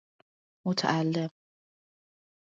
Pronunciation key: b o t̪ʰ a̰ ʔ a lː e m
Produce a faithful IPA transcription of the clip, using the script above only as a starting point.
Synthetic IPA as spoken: m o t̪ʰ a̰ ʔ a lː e m